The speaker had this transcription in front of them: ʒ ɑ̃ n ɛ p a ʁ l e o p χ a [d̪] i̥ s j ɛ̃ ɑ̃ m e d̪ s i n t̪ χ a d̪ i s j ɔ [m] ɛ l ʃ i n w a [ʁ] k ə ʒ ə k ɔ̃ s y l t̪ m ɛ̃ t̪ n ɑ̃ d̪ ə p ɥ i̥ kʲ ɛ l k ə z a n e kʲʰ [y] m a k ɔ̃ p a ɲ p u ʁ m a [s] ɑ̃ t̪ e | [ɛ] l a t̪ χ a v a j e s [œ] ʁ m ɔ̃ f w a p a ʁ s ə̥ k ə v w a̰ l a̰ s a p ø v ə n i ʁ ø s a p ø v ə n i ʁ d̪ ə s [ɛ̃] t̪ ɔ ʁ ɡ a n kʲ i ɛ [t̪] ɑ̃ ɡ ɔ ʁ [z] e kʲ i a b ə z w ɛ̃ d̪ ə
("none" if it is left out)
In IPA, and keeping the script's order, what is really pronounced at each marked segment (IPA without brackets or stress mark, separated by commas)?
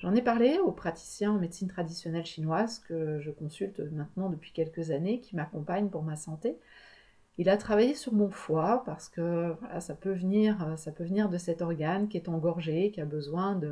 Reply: t̪, n, z, i, s, i, y, ɛ, t̪, ʒ